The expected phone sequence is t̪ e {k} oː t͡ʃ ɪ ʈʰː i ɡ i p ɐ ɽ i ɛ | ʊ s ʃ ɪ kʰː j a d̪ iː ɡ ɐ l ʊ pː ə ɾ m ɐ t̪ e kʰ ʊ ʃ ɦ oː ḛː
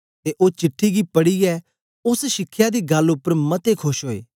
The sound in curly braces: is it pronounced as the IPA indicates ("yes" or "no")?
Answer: no